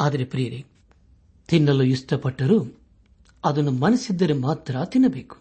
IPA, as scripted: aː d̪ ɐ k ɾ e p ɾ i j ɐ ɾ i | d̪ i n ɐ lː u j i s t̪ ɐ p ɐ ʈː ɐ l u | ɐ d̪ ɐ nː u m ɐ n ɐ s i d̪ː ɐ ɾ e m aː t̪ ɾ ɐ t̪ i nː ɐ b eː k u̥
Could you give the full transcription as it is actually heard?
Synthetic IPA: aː d̪ ɐ ɾ e p ɾ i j ɐ ɾ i | t̪ i nː ɐ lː u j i s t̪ ɐ p ɐ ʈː ɐ ɾ u | ɐ d̪ ɐ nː u m ɐ n ɐ s i d̪ː ɐ ɾ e m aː t̪ ɾ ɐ t̪ i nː ɐ b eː k u̥